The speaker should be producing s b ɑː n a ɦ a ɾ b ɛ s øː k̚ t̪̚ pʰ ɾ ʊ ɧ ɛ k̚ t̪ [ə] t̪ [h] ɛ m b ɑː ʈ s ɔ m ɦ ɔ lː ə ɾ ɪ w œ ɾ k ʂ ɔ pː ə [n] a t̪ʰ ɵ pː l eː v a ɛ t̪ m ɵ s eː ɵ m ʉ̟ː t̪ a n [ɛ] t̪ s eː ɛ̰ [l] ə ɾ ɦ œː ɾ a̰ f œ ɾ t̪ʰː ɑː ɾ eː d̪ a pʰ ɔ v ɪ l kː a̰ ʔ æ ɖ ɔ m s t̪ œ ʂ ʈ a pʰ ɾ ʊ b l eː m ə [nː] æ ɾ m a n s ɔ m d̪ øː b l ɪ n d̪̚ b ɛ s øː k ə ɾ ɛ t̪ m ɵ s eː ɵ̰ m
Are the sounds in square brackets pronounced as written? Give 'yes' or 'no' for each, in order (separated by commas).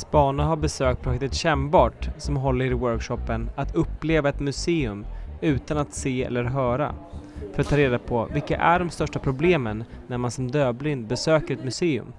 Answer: yes, no, yes, no, no, yes